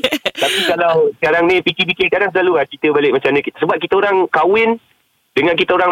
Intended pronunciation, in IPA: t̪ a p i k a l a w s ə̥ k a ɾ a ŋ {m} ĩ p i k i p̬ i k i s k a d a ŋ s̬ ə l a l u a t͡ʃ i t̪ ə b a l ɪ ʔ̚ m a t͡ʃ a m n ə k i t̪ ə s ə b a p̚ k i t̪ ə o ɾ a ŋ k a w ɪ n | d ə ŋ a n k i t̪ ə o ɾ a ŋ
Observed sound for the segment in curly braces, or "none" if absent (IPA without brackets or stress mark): n